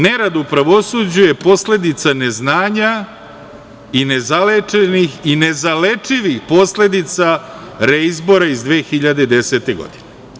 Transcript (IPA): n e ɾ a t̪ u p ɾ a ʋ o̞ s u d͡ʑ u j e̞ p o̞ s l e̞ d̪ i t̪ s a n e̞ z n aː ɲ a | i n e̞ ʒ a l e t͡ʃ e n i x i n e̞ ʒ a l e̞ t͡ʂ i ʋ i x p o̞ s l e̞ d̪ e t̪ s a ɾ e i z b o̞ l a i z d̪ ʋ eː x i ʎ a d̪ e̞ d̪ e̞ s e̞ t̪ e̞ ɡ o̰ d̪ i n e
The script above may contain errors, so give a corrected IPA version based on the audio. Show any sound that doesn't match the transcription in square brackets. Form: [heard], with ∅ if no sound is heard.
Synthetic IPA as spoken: n e ɾ a [d̪] u p ɾ a ʋ o̞ s u d͡ʑ u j e̞ p o̞ s l e̞ d̪ i t̪ s a n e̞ z n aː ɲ a | i n e̞ [z] a l e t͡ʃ e n i x i n e̞ [z] a l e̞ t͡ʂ i ʋ i x p o̞ s l e̞ d̪ [i] t̪ s a ɾ e i z b o̞ [ɾ] a i z d̪ ʋ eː x i ʎ a d̪ e̞ d̪ e̞ s e̞ t̪ e̞ ɡ o̰ d̪ i n e